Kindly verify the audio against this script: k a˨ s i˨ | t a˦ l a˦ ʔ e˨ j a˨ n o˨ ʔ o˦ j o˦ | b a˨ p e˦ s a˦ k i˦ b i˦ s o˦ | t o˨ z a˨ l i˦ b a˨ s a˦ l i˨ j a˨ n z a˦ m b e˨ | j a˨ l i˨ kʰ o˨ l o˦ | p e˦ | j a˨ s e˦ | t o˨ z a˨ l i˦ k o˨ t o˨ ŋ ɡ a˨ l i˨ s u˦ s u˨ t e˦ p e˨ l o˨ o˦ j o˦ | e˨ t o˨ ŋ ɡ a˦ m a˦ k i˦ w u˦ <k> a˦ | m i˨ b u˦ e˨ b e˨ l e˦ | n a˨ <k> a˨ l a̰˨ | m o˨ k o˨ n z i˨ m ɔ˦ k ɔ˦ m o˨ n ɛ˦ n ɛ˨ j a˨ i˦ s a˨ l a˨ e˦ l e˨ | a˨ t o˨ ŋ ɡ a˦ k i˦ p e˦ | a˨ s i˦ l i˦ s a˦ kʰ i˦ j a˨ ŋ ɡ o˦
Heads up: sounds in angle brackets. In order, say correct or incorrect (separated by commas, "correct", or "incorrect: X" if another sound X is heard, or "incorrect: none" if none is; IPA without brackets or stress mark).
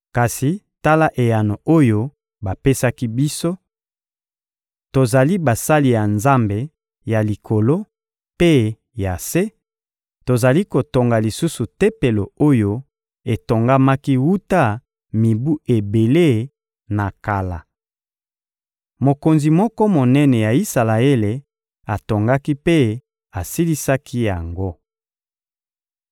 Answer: incorrect: t, correct